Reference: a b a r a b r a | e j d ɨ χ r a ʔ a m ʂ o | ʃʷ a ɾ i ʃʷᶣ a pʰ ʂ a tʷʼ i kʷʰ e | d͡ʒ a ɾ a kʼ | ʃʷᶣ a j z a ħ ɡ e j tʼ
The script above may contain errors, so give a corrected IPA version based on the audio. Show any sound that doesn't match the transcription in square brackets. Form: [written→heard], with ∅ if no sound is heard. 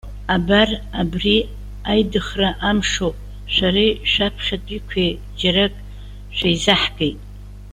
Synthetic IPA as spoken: a b a r a b r [a→i] | [e→a] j d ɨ χ r a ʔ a m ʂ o | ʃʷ a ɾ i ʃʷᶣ a pʰ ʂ a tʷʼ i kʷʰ e | d͡ʒ a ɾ a kʼ | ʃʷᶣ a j z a ħ ɡ e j tʼ